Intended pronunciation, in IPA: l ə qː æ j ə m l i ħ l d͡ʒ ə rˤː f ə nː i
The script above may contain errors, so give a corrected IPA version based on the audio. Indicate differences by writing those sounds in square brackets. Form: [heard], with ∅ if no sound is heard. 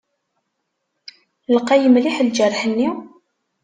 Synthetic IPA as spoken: l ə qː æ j ə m l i ħ l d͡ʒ ə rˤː [ħ] ə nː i